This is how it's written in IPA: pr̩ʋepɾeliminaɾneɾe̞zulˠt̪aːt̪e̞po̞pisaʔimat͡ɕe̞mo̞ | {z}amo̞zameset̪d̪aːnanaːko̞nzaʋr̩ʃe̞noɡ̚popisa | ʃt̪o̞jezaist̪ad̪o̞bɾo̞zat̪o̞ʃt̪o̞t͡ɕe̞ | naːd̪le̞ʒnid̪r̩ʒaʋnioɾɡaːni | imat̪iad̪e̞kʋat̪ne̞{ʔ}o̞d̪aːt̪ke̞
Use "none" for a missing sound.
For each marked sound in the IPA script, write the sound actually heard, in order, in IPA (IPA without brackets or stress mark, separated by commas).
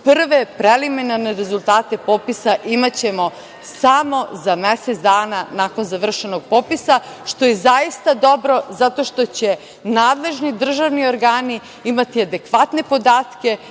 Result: s, p